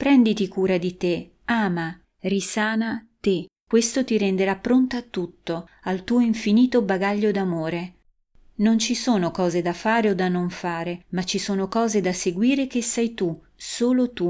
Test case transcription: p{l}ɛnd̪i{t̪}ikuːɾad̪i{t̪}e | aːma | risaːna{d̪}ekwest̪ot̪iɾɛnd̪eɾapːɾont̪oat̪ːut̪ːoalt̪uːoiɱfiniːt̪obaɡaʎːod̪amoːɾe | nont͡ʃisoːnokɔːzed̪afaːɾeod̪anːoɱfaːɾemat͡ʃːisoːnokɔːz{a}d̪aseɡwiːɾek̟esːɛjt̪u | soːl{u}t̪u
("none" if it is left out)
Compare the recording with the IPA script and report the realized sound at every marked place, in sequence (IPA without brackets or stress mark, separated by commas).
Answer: ɾ, t̪, t̪, t̪, e, o